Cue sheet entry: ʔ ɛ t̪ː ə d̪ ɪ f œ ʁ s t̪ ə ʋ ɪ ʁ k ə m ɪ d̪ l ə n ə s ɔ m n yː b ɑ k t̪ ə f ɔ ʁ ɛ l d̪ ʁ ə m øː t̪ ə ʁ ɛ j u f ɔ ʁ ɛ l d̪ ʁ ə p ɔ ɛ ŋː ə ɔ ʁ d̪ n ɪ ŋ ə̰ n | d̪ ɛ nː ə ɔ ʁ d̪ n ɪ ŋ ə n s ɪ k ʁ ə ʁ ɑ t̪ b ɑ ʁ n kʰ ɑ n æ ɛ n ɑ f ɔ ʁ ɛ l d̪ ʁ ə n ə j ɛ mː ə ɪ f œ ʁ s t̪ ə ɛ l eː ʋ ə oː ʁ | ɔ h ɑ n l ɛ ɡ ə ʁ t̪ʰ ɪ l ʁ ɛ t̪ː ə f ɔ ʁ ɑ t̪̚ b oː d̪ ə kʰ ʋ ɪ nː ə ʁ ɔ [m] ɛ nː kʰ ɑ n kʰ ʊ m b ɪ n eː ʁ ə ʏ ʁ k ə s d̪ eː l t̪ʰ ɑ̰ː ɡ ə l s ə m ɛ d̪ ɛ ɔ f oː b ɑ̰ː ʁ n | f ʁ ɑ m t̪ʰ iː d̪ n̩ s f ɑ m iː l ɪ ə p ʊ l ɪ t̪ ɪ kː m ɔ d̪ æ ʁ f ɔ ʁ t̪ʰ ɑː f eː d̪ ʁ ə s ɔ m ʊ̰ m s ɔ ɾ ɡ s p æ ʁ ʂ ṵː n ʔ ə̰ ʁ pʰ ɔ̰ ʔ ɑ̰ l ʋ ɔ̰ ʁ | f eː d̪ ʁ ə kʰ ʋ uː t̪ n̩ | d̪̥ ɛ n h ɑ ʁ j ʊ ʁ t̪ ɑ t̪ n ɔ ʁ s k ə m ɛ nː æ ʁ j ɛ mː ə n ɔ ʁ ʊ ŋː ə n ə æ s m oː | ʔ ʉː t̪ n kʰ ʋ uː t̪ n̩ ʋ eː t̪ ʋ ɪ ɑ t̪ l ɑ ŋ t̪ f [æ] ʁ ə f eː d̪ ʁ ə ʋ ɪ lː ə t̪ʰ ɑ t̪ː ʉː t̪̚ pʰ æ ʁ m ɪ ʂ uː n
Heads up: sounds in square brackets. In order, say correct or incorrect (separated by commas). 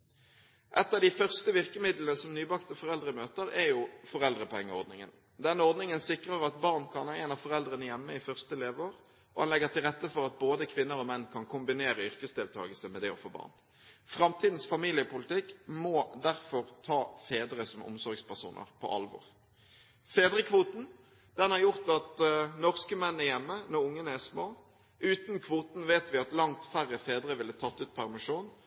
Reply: correct, correct